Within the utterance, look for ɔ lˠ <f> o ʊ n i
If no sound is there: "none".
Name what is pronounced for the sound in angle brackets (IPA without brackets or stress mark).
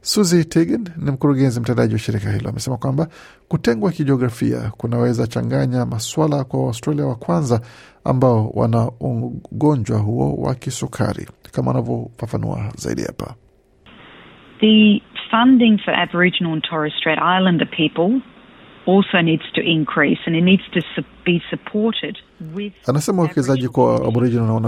s